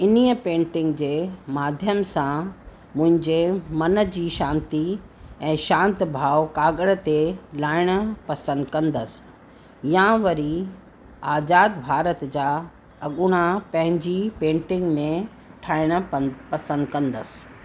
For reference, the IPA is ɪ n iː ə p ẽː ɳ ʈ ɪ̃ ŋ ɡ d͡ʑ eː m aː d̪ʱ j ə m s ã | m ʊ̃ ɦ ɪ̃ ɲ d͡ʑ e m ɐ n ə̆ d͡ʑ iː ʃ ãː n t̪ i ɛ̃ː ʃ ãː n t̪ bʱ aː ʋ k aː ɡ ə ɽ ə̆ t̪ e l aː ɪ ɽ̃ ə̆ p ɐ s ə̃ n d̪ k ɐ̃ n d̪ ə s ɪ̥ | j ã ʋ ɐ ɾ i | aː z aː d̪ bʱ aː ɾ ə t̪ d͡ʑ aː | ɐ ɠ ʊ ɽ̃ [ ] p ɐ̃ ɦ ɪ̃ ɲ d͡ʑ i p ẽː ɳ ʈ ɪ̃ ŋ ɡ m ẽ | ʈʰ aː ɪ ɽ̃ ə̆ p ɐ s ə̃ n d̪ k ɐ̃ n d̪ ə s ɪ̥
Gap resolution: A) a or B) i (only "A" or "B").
A